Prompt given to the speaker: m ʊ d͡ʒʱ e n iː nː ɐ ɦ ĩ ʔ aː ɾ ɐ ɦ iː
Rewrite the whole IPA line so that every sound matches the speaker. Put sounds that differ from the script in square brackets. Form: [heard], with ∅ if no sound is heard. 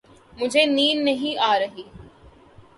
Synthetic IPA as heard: m ʊ d͡ʒʱ e n iː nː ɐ ɦ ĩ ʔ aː ɾ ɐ ɦ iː